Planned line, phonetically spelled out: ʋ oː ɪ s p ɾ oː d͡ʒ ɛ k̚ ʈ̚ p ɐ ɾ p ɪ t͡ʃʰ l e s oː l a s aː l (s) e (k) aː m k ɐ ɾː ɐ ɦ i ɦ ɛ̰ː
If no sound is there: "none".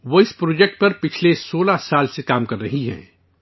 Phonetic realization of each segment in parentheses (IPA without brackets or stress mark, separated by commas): s, k